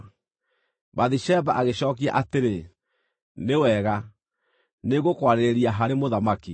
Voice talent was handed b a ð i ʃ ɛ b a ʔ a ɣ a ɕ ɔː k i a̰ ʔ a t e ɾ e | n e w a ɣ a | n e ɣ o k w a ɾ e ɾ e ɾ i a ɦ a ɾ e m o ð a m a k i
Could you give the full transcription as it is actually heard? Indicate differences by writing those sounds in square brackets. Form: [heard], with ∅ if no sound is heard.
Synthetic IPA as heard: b a ð i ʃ ɛ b a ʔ a ɣ [e] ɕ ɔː k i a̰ ʔ a t e ɾ e | n e w [ɛ] ɣ a | n e ɣ o k w a ɾ e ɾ e ɾ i a ɦ a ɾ e m o ð a m a k i